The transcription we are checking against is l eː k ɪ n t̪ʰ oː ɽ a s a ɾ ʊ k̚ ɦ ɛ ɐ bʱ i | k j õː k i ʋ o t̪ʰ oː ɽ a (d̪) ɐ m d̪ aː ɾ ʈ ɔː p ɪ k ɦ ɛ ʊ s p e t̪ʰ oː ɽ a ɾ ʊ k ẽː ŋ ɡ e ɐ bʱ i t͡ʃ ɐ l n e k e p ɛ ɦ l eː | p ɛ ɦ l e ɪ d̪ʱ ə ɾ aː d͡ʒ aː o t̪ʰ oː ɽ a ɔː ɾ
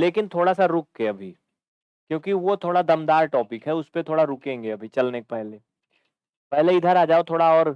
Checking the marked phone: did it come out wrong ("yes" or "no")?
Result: no